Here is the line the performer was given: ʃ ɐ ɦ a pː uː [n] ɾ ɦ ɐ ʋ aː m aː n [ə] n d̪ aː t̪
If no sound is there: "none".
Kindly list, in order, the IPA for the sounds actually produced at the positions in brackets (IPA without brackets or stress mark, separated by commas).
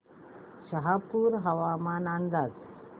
none, a